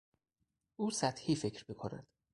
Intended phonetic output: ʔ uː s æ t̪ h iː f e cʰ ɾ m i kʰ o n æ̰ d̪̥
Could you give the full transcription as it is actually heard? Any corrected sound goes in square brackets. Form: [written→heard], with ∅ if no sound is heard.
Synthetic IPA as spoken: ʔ uː s æ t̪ h iː f e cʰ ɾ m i kʰ o n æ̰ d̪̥